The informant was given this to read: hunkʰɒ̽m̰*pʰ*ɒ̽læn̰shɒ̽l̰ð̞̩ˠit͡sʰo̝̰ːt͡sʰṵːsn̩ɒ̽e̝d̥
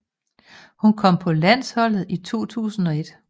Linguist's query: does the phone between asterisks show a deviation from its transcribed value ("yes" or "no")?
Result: no